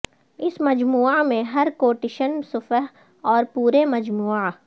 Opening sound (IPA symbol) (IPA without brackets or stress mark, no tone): ɪ